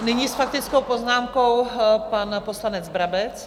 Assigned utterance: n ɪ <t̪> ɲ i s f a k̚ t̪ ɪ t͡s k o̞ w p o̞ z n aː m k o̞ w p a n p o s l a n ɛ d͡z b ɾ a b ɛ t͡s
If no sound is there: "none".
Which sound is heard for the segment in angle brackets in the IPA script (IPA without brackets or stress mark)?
none